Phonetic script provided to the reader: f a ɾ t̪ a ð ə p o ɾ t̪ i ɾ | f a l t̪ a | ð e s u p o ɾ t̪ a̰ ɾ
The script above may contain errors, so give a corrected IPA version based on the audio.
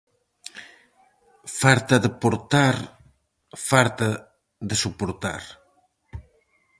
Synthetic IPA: f a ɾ t̪ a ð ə p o ɾ t̪ a ɾ | f a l t̪ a | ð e s u p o ɾ t̪ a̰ ɾ